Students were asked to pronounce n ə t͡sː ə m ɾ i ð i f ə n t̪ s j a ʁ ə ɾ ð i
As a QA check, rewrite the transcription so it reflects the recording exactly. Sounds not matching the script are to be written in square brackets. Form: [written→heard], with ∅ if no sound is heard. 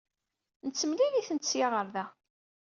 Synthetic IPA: n ə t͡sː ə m [ɾ→l] i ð i [f→θ] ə n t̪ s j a ʁ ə ɾ ð [i→æ]